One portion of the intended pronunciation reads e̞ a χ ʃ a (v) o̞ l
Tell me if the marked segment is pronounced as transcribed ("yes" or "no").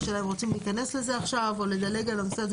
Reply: yes